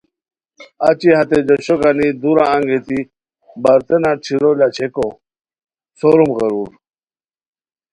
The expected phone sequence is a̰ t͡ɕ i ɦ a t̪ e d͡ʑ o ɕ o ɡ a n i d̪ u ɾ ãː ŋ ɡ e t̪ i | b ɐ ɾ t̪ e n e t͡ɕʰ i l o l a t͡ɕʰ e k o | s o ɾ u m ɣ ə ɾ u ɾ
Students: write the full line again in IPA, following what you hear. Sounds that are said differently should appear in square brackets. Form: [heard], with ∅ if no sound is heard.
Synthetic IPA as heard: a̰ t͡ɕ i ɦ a t̪ e d͡ʑ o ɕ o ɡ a n i d̪ u ɾ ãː ŋ ɡ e t̪ i | b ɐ ɾ t̪ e n [a] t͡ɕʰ i [ɾ] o l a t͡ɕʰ e k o | s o ɾ u m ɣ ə ɾ u ɾ